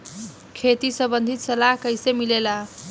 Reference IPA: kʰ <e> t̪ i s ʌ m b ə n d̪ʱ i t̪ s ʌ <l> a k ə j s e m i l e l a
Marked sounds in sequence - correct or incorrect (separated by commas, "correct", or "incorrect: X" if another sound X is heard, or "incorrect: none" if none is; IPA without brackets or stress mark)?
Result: correct, correct